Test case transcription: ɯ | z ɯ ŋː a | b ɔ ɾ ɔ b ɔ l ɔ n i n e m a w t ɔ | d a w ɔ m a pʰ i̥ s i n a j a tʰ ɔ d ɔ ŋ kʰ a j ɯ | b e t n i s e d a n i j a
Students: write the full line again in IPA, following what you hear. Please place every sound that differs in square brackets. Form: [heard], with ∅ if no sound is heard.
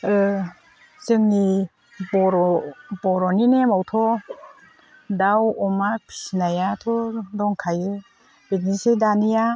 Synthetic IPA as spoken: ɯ | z ɯ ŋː [i] | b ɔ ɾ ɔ b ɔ [ɾ] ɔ n i n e m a w [tʰ] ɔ | d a w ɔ m a pʰ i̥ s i n a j a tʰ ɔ d ɔ ŋ kʰ a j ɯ | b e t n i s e d a n i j a